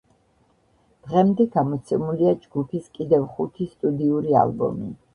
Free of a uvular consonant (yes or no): no